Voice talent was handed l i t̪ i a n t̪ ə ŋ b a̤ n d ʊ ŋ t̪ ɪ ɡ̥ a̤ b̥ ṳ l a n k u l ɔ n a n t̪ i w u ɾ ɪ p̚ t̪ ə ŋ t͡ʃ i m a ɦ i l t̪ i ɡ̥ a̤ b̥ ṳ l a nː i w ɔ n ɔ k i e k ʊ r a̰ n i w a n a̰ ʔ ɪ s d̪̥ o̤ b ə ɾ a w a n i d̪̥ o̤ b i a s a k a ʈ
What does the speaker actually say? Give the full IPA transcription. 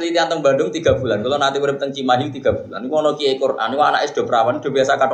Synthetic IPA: l i t̪ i a n t̪ ə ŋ b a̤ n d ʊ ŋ t̪ i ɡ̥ a̤ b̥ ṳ l a n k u l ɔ n a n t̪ i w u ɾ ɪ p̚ t̪ ə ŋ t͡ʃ i m a ɦ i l t̪ i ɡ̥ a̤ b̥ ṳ l a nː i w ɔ n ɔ k i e k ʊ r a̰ n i w a n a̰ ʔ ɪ s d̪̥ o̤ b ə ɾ a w a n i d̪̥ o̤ b i a s a k a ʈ